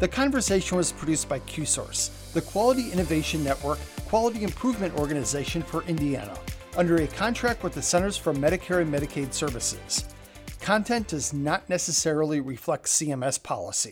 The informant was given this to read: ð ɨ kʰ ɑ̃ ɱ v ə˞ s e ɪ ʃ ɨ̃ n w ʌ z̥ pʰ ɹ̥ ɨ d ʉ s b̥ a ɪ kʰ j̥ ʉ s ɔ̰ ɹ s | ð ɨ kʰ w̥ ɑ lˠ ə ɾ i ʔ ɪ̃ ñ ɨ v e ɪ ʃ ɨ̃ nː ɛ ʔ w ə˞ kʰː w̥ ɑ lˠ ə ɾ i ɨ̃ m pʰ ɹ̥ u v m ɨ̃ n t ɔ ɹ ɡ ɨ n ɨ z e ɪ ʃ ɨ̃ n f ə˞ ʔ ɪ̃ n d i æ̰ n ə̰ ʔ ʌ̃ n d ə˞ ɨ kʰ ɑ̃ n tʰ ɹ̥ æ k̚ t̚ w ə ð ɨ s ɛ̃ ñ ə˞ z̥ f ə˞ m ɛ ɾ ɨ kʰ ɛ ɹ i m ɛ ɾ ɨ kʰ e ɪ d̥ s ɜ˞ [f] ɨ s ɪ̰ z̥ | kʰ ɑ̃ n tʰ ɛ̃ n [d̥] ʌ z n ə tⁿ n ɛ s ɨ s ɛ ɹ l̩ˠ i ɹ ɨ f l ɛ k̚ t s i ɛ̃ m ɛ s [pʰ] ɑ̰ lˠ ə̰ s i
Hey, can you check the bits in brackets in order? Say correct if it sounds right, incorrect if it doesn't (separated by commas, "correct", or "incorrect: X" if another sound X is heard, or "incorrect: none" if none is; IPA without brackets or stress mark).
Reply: incorrect: v, correct, correct